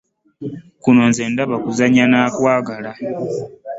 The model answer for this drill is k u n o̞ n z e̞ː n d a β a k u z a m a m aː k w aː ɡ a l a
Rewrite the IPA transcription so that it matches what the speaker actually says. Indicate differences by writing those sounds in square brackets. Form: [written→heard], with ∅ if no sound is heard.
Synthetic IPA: k u n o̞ n z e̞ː n d a β a k u z a [m→ɲ] a [m→n] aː k w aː ɡ a l a